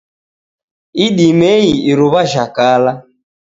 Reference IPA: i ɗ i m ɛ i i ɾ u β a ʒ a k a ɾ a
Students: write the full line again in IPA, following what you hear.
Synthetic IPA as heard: i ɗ i m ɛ i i ɾ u β a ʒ a k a l a